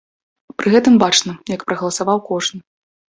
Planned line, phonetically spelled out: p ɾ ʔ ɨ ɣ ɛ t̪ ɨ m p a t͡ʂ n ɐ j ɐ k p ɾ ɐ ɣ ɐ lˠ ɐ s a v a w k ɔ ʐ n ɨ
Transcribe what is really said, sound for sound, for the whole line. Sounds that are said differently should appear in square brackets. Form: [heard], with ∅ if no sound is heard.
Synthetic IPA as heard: p ɾ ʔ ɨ ɣ ɛ t̪ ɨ m [b] a t͡ʂ n ɐ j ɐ k p ɾ ɐ ɣ ɐ lˠ ɐ s a v a w k ɔ ʐ n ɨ